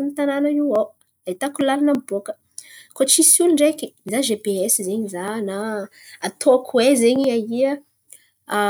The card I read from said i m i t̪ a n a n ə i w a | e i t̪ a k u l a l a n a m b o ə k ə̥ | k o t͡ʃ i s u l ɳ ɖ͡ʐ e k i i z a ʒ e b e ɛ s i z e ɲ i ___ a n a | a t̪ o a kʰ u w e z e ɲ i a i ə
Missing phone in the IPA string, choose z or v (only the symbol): z